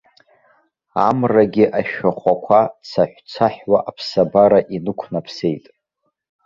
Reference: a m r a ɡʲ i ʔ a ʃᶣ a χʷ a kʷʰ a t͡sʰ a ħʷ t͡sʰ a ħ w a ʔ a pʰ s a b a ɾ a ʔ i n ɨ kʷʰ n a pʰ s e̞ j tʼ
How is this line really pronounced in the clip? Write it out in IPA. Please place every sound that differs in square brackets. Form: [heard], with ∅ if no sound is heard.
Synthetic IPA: a m r a ɡʲ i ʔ a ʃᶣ a χʷ a kʷʰ a t͡sʰ a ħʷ t͡sʰ a ħ w a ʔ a pʰ s a b a ɾ a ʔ i n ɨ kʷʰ n a pʰ s e̞ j tʼ